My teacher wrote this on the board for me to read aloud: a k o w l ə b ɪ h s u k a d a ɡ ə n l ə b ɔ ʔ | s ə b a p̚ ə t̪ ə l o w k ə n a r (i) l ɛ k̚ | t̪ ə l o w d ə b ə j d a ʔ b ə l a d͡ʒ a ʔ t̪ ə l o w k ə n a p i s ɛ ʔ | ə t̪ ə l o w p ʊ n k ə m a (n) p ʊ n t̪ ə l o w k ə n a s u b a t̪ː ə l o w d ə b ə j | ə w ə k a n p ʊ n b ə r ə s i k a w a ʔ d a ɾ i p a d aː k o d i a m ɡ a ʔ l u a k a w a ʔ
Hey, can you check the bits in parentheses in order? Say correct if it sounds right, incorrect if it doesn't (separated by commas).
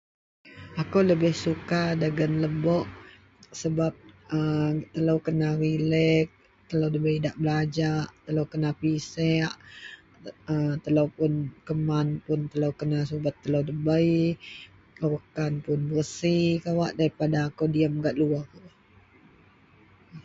correct, correct